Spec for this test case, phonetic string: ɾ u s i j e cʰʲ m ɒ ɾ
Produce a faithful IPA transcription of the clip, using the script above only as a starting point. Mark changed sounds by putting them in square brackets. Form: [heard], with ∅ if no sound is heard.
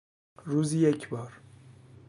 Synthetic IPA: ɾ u [z] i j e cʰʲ [b] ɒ ɾ

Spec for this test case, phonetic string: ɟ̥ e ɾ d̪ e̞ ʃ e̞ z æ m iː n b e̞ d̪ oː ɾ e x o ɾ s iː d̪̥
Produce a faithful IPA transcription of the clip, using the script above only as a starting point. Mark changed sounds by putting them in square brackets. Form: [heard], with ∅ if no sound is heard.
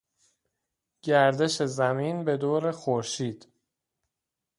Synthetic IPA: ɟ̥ [æ] ɾ d̪ e̞ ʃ e̞ z æ m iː n b e̞ d̪ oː ɾ e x o ɾ [ʃ] iː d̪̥

